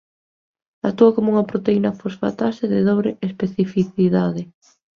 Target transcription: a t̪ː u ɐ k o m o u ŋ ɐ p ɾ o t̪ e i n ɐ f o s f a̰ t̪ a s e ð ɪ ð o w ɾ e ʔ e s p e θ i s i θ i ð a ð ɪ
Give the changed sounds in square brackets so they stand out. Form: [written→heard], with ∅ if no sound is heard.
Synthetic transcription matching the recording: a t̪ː u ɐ k o m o u ŋ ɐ p ɾ o t̪ e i n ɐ f o s f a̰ t̪ a s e ð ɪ ð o [w→β] ɾ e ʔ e s p e θ i [s→f] i θ i ð a ð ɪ